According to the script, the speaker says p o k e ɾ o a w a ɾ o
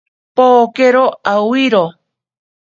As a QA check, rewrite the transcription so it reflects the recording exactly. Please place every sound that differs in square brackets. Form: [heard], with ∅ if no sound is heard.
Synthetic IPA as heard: p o k e ɾ o a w [i] ɾ o

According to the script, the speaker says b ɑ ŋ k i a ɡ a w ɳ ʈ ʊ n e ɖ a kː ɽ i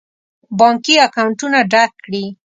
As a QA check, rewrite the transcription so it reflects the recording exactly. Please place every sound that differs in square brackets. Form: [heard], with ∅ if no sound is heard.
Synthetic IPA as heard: b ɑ ŋ k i a [k] a w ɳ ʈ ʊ n [a] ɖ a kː ɽ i

